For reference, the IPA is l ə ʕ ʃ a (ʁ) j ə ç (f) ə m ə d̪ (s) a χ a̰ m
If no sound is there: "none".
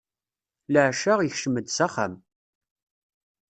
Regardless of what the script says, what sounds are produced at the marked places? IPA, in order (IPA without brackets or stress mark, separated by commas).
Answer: ʁ, ʃ, s